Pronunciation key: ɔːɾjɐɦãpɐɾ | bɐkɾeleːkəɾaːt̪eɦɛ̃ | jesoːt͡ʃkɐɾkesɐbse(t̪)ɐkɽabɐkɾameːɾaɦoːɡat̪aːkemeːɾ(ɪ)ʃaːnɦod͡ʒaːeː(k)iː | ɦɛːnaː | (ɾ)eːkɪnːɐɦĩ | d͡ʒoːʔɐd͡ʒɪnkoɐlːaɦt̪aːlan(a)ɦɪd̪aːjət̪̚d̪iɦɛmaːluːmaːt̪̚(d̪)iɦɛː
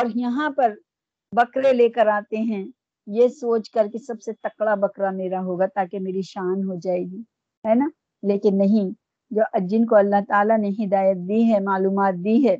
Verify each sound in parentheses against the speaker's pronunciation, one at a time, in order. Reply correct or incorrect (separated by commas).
correct, incorrect, incorrect, incorrect, incorrect, correct